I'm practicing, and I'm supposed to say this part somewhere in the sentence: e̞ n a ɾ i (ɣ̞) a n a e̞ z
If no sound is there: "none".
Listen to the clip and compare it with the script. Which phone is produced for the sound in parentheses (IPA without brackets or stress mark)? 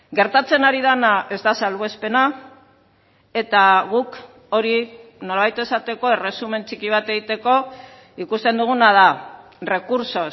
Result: ð̞